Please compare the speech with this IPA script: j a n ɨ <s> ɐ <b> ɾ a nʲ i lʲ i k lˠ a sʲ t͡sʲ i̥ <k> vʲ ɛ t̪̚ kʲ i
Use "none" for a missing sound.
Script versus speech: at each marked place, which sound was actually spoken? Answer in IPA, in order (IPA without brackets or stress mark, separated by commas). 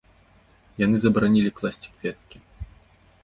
z, b, k